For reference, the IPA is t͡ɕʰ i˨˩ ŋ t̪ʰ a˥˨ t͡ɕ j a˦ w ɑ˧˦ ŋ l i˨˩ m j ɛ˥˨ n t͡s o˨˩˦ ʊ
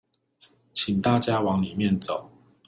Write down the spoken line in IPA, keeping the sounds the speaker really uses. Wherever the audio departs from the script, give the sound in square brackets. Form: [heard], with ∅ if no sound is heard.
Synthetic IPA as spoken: t͡ɕʰ i˨˩ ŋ [t̪] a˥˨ t͡ɕ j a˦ w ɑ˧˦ ŋ l i˨˩ m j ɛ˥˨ n t͡s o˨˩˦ ʊ